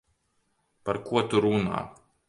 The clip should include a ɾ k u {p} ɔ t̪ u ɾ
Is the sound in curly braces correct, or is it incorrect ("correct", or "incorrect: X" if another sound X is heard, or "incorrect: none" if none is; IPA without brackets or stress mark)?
incorrect: none